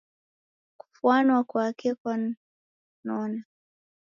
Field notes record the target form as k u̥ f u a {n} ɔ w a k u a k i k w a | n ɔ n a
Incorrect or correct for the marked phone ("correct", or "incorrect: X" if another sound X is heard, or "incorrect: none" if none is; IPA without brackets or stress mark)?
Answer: correct